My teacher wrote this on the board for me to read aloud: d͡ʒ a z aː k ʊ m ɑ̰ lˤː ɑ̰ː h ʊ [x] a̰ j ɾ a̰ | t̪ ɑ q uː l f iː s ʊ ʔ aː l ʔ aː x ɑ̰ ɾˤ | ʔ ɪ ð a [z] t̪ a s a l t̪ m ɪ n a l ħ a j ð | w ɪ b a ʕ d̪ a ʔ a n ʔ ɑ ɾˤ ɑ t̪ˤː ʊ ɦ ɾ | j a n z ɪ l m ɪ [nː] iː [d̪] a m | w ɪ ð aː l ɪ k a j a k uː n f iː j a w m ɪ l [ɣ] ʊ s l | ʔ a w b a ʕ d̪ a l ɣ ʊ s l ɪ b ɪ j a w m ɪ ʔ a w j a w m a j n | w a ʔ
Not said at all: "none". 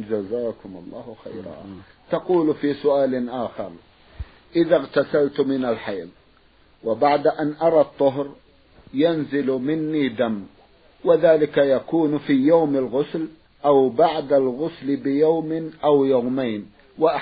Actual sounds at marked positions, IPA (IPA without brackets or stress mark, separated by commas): x, ɣ, nː, d̪, ɣ